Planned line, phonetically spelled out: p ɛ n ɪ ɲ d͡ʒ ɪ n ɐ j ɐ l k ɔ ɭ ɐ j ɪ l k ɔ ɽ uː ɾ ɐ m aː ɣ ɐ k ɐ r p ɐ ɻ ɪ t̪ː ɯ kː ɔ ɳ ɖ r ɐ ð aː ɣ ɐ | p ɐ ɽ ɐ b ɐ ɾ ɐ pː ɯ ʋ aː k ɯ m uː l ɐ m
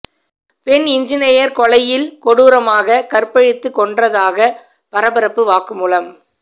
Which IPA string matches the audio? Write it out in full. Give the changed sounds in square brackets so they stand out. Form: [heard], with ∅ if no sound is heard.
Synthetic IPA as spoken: p ɛ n ɪ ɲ d͡ʒ ɪ n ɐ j ɐ [ɾ] k ɔ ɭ ɐ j ɪ l k ɔ ɽ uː ɾ ɐ m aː ɣ ɐ k ɐ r p ɐ ɻ ɪ t̪ː ɯ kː ɔ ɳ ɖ r ɐ ð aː ɣ ɐ | p ɐ [ɾ] ɐ b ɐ ɾ ɐ pː ɯ ʋ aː k ɯ m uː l ɐ m